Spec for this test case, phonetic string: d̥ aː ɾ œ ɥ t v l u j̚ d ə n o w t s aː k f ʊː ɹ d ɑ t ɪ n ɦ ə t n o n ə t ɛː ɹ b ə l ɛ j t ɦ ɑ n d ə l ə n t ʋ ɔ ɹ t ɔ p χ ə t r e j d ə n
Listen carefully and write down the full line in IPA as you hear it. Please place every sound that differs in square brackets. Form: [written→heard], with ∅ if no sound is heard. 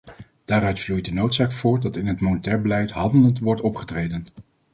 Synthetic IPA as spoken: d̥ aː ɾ œ ɥ t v l u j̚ d ə n o w t s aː k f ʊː ɹ d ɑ t ɪ n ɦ ə t [n→m] o n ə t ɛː ɹ b ə l ɛ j t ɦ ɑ n d ə l ə n t ʋ ɔ ɹ t ɔ p χ ə t r e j d ə n